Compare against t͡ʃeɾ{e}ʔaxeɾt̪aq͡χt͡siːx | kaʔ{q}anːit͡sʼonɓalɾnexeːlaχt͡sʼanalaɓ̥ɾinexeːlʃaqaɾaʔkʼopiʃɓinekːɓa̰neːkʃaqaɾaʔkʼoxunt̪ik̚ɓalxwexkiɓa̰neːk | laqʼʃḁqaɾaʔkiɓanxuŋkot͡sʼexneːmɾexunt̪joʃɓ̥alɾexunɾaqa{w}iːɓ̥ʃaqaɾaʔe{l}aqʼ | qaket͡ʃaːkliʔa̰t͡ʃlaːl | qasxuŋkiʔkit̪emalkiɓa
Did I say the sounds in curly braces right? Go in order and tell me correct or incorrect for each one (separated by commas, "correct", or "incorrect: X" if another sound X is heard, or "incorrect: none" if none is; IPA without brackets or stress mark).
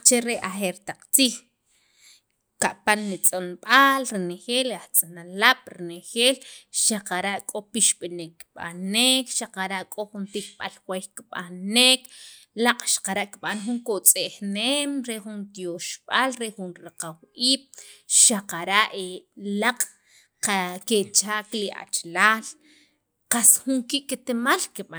correct, incorrect: p, correct, correct